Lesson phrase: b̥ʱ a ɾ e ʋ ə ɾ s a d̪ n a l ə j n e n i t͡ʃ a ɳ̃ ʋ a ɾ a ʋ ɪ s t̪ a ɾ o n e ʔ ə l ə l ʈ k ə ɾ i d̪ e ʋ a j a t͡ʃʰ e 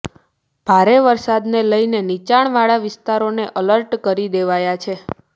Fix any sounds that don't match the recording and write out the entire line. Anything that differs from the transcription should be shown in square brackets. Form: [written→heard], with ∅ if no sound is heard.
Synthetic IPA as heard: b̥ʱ a ɾ e ʋ ə ɾ s a d̪ n [a→e] l ə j n e n i t͡ʃ a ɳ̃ ʋ a [ɾ→ɭ] a ʋ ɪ s t̪ a ɾ o n e ʔ ə l ə [l→ɾ] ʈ k ə ɾ i d̪ e ʋ a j a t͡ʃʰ e